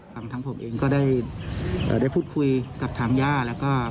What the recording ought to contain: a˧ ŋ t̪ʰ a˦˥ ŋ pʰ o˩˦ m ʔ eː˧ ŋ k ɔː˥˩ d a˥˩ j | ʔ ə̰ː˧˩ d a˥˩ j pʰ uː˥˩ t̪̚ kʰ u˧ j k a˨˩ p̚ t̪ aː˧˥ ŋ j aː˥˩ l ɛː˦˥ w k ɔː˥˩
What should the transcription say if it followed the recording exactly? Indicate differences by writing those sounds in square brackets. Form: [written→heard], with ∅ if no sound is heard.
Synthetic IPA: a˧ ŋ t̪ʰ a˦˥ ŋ pʰ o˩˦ m ʔ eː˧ ŋ k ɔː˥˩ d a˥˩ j | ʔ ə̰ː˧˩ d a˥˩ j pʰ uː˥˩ t̪̚ kʰ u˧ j k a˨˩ p̚ [t̪→t̪ʰ] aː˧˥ ŋ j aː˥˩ l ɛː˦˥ w k ɔː˥˩